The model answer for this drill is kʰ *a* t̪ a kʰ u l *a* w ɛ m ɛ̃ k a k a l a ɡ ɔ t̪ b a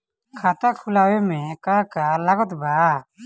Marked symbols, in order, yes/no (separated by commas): yes, yes